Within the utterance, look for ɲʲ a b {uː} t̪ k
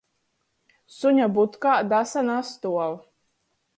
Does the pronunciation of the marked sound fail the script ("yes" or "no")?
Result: yes